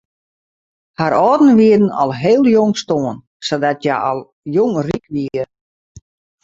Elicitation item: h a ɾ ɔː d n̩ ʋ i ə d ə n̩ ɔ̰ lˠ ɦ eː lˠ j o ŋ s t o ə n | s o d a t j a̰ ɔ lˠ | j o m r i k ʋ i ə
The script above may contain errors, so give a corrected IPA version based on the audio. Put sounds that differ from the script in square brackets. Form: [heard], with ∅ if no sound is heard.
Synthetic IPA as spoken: h a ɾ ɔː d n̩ ʋ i ə d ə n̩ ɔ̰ lˠ ɦ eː lˠ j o ŋ s t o ə n | s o d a t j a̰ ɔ lˠ | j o [ŋ] r i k ʋ i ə